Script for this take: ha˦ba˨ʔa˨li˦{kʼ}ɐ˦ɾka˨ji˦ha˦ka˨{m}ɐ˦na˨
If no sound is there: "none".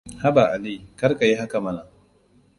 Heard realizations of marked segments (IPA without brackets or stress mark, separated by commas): k, m